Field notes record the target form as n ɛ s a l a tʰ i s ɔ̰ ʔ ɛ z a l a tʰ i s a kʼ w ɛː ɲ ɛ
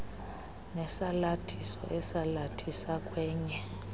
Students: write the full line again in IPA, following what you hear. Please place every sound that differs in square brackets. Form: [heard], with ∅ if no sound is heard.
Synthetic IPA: n ɛ s a l a tʰ i s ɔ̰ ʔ ɛ [s] a l a tʰ i s a kʼ w ɛː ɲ ɛ